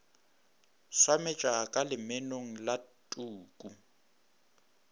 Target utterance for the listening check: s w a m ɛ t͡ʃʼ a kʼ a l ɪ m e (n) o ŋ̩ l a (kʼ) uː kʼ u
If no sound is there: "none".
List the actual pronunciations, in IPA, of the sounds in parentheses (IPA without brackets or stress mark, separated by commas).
n, tʼ